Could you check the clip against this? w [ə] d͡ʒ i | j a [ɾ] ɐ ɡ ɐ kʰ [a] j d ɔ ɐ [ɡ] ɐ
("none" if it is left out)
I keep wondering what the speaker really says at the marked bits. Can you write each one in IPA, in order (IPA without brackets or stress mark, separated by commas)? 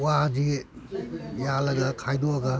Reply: a, l, a, ɡ